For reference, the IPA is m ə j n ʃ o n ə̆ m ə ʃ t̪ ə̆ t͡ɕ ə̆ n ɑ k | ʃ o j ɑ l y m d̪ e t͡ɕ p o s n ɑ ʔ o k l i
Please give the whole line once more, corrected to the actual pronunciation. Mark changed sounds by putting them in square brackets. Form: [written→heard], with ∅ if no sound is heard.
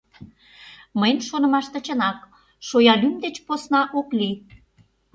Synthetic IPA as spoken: m ə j n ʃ o n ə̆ m [ə→ɑ] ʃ t̪ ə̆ t͡ɕ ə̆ n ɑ k | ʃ o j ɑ l y m d̪ e t͡ɕ p o s n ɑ ʔ o k l i